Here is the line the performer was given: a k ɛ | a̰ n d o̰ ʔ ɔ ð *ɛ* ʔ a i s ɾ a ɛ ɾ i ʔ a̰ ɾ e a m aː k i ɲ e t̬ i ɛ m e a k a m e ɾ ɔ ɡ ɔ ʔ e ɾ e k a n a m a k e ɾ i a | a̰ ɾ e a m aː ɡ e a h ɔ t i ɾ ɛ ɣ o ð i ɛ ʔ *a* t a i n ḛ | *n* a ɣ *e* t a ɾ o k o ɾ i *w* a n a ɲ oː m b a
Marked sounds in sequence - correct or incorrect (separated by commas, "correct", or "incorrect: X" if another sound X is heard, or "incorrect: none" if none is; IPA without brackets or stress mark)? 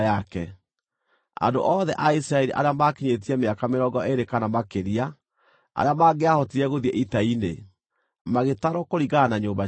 correct, incorrect: i, incorrect: m, correct, incorrect: ɣ